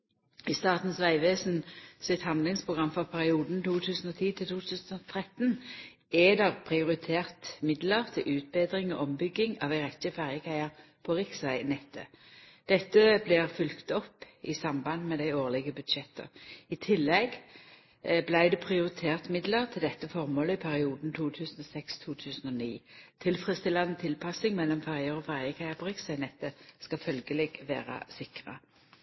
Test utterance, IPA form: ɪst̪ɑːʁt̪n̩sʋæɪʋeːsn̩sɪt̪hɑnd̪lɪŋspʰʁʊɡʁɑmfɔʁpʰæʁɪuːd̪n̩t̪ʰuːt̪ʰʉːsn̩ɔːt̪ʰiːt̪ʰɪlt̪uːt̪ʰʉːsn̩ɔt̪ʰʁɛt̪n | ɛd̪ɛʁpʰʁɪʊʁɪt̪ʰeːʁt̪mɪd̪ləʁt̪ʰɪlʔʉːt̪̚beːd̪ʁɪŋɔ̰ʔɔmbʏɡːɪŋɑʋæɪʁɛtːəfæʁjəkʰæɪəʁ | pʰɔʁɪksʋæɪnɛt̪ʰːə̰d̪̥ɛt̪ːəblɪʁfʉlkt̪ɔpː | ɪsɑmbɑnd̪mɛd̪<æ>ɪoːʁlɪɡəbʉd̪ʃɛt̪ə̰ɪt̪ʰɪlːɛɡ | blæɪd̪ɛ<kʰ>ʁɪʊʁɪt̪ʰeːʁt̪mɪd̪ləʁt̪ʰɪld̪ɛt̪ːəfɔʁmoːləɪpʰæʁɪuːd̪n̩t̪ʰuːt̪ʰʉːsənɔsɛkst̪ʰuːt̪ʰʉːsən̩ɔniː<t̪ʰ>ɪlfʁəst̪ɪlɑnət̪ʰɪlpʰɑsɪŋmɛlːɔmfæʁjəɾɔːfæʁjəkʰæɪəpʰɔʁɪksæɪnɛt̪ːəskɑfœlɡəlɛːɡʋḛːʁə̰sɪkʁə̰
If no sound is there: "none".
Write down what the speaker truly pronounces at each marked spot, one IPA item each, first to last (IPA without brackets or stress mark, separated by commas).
æ, pʰ, t̪ʰ